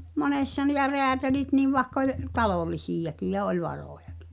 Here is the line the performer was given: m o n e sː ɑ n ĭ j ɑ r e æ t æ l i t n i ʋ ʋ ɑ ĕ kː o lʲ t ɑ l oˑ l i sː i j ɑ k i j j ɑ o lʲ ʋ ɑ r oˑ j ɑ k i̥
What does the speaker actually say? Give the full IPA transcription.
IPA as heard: m o n e sː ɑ n ĭ j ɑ r e æ t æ l i t n i ʋ ʋ ɑ ĕ kː o lʲ t ɑ l oˑ l i s i j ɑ k i j j ɑ o lʲ ʋ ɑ r oˑ j ɑ k i̥